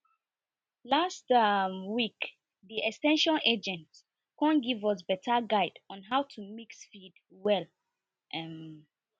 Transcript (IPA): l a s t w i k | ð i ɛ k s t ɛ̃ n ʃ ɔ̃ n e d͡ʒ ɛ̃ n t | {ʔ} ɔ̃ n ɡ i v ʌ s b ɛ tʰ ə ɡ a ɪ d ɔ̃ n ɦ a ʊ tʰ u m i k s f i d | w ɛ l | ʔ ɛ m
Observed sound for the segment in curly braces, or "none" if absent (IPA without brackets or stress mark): k